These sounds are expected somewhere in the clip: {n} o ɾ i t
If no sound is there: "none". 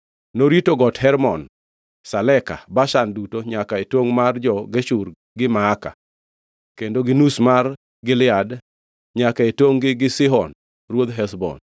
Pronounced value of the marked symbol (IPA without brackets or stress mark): n